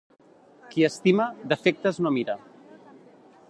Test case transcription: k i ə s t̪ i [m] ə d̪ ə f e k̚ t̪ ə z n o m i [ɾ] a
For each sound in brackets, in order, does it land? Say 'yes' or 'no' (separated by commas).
yes, yes